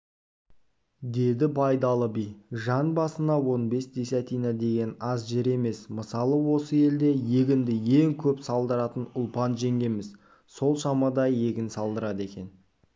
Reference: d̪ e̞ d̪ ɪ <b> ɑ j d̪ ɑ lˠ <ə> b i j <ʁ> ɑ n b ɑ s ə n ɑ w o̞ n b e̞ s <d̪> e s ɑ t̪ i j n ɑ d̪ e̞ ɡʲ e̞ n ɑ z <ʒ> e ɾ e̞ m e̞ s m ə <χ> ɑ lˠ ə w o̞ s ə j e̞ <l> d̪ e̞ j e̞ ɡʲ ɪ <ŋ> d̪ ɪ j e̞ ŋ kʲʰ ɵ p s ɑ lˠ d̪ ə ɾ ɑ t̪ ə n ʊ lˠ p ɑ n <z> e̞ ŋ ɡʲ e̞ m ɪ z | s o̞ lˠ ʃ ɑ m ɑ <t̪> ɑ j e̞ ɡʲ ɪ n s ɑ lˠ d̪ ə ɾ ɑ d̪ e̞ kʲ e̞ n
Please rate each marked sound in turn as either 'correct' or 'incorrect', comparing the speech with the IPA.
correct, correct, incorrect: ʒ, correct, correct, incorrect: s, correct, incorrect: n, incorrect: ʒ, incorrect: d̪

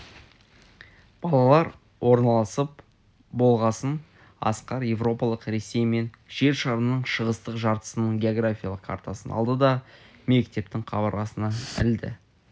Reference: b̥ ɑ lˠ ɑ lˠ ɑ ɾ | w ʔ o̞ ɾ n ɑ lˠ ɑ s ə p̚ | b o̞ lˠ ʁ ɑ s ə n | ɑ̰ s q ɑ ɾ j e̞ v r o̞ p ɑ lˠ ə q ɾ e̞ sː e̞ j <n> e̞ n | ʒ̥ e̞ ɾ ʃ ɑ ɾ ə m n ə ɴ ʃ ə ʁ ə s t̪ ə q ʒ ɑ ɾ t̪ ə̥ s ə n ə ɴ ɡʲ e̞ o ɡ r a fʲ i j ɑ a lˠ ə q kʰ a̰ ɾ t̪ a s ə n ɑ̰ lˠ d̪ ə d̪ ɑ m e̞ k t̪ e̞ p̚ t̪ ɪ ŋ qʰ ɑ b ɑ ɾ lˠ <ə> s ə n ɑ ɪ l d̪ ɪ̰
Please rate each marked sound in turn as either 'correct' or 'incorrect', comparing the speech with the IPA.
incorrect: m, incorrect: ɑ

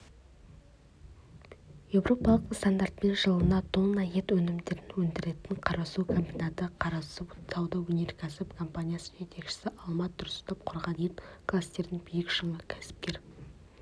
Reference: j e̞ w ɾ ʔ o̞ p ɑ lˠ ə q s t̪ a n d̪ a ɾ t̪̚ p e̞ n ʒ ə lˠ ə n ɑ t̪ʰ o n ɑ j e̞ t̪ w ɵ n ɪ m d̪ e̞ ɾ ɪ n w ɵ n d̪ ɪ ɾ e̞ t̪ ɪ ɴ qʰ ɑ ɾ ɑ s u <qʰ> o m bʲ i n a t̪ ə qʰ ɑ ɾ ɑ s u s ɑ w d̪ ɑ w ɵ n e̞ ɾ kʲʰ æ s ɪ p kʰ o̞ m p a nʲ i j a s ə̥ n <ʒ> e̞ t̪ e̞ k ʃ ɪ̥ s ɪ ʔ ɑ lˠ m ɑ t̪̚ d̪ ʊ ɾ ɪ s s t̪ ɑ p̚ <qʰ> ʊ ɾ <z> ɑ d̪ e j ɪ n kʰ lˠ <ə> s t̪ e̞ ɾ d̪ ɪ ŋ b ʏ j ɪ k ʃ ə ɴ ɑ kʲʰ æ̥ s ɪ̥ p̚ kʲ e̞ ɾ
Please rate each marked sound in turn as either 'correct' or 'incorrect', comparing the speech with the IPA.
incorrect: kʰ, correct, correct, incorrect: ʁ, incorrect: a

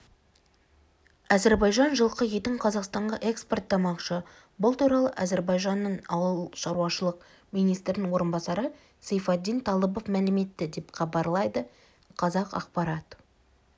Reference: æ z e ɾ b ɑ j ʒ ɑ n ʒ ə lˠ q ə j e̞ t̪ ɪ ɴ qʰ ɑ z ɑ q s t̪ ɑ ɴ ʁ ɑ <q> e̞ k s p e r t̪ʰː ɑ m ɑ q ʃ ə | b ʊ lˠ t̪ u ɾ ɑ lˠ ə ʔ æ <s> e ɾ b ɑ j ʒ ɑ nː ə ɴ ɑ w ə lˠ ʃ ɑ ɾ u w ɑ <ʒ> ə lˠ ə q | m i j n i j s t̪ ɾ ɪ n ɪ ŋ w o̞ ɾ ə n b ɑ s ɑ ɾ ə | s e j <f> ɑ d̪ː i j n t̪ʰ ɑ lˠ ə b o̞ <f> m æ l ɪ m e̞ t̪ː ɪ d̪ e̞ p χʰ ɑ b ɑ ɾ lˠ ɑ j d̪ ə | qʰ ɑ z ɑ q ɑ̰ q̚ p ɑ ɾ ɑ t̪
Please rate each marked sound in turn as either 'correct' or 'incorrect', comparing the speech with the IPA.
incorrect: ʔ, incorrect: z, incorrect: ʃ, correct, correct

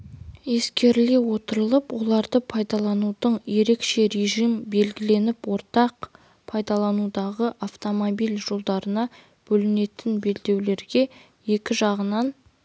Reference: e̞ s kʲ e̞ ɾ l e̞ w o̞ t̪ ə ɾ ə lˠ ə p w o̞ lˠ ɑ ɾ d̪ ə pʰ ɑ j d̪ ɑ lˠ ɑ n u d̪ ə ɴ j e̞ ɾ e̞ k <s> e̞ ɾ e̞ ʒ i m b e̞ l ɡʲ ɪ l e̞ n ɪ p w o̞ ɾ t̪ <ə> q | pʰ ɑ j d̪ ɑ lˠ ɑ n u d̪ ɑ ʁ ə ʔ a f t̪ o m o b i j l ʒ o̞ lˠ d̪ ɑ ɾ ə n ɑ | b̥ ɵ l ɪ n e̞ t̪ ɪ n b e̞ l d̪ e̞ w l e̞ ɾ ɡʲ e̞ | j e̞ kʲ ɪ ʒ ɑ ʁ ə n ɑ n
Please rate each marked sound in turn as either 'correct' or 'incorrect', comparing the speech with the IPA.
incorrect: ʃ, incorrect: ɑ

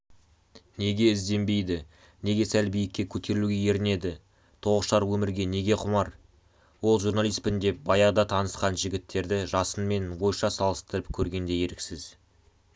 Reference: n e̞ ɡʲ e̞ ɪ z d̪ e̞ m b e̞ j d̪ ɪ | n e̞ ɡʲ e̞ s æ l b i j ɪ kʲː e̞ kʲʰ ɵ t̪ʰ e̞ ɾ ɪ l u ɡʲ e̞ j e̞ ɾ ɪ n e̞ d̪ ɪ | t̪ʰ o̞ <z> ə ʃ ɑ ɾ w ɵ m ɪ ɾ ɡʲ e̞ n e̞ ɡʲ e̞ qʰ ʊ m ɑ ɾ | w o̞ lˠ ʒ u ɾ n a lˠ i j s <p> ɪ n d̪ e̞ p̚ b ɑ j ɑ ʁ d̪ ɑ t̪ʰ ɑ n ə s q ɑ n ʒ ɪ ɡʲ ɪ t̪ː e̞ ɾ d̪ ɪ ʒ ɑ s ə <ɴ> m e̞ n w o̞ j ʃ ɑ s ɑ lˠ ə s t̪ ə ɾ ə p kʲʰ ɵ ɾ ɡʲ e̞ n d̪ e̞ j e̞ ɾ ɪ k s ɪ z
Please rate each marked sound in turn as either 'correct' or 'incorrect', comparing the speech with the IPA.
incorrect: ʁ, correct, incorrect: n

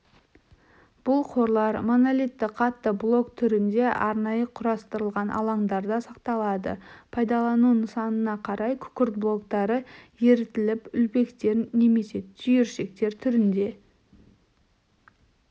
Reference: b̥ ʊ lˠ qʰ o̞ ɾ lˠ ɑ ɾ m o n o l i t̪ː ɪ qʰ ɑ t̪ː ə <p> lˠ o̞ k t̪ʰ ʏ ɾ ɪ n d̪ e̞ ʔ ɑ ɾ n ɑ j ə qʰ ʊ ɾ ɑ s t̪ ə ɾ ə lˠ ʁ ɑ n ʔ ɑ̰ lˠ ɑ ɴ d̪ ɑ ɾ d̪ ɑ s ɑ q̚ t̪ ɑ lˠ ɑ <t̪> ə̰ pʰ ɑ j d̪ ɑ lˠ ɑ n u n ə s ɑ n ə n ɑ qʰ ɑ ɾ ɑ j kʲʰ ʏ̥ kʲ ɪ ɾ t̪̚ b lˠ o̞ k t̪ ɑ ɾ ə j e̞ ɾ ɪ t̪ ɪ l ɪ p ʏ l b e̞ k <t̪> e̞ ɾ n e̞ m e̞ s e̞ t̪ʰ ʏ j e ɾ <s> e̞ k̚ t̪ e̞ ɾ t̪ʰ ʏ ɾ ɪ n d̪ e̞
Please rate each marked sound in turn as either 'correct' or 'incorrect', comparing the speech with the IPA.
incorrect: b, incorrect: d̪, correct, incorrect: ʃ

